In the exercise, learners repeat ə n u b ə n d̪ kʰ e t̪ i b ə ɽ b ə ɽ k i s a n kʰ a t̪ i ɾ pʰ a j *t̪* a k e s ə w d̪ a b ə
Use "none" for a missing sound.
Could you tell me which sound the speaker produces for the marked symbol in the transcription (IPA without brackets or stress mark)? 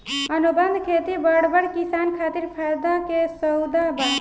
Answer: d̪